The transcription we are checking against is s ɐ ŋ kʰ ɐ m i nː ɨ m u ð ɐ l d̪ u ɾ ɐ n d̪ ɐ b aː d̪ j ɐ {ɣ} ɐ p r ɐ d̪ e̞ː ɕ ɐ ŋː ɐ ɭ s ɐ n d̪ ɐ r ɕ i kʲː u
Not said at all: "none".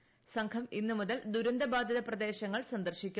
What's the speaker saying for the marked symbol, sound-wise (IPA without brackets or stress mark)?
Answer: ð